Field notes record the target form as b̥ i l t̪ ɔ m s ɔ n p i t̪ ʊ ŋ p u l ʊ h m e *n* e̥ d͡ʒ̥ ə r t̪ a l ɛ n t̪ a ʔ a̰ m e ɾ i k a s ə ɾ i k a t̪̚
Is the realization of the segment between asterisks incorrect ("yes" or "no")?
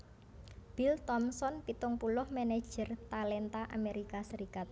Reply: no